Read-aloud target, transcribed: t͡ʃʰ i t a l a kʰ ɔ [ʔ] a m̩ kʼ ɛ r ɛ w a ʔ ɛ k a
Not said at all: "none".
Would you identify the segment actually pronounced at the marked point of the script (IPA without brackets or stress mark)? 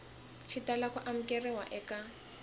ʔ